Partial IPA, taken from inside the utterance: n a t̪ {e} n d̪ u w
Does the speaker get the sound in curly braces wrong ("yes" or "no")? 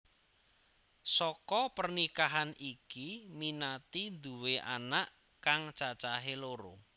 yes